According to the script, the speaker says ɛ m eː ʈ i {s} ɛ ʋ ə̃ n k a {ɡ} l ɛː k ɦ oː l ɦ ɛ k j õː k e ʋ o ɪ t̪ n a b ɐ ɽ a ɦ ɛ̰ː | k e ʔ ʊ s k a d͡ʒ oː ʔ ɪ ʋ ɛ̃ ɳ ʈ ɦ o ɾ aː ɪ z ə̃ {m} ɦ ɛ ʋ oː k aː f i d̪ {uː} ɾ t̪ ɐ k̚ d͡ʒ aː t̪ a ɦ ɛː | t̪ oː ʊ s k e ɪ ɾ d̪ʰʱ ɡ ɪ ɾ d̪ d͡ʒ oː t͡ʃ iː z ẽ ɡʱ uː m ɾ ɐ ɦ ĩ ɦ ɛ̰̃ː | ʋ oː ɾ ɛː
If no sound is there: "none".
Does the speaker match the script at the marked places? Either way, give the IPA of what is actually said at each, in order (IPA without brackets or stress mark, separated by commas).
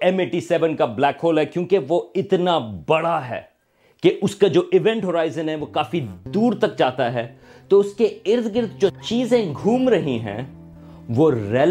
s, b, n, uː